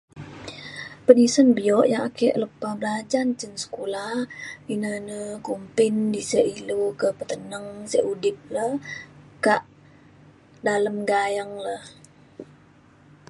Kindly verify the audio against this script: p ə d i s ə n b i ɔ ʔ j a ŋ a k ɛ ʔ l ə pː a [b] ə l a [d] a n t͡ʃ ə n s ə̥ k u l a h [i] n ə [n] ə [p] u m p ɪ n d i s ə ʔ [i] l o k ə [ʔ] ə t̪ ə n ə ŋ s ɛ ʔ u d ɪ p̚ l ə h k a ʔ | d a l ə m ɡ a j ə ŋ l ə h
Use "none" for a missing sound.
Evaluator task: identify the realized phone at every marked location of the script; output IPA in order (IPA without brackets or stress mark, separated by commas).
b, d͡ʒ, i, n, k, i, p